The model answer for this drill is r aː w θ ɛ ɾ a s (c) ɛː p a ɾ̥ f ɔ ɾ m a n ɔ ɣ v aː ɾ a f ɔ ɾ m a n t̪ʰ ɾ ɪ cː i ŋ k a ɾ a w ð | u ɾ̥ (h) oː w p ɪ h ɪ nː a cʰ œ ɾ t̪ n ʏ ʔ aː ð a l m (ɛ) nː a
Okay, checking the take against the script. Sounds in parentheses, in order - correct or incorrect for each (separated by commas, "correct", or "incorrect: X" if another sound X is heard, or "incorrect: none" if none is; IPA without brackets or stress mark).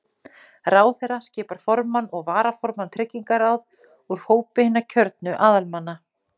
correct, correct, incorrect: a